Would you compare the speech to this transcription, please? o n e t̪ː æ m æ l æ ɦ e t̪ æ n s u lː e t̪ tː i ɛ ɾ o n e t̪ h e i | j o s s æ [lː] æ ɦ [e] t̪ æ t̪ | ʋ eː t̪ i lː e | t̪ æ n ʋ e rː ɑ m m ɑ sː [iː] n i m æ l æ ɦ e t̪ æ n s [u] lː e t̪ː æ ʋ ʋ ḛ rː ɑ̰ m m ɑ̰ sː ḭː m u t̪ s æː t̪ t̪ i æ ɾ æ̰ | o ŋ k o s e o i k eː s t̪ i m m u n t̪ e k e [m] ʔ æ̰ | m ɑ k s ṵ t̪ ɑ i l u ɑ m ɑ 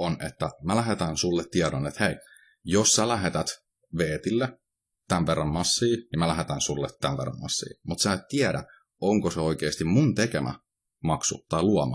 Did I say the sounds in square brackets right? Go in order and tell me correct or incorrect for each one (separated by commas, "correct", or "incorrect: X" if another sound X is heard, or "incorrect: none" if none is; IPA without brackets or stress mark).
incorrect: l, correct, correct, correct, correct